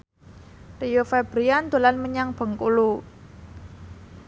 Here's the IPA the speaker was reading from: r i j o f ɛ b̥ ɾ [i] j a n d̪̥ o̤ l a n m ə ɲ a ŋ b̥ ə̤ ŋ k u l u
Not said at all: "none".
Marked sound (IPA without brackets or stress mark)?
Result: i